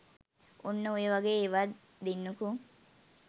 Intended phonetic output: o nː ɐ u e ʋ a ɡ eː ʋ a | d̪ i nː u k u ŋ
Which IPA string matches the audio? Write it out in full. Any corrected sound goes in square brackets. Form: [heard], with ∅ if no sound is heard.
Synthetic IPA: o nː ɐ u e ʋ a ɡ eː ʋ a | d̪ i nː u k u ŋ